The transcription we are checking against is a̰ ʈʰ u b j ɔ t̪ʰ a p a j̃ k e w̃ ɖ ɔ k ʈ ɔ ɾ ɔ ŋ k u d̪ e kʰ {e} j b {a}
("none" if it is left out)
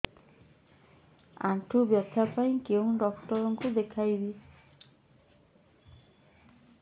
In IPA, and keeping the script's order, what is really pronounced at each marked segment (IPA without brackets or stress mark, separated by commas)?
a, i